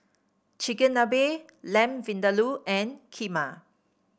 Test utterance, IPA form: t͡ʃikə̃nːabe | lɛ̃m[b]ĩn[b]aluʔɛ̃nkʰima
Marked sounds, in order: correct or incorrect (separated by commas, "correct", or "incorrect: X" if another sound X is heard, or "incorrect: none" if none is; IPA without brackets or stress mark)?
incorrect: v, incorrect: d